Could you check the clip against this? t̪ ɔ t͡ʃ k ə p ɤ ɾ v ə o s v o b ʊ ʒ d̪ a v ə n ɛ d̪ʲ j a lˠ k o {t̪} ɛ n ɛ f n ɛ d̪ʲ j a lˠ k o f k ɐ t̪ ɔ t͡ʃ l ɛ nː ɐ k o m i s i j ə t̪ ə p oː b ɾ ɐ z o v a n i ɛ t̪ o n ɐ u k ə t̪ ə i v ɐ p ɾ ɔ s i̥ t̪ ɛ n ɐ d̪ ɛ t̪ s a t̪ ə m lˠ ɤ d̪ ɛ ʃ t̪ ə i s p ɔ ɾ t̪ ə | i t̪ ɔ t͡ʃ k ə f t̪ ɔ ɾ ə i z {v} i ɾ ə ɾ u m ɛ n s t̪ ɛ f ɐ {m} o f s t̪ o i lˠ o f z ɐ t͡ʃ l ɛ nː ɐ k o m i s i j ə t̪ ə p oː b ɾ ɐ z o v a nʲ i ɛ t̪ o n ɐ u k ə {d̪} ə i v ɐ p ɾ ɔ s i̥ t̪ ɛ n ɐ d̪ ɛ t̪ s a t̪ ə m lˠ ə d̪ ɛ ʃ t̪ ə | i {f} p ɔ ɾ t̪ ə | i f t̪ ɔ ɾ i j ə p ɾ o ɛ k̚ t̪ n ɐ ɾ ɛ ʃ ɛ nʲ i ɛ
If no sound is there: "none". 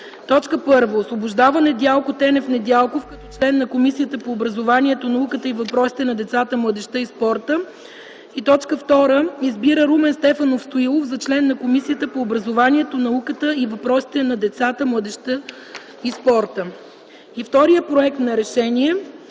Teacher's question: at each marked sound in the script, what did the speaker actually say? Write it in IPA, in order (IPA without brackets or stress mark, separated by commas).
t̪, b, n, t̪, s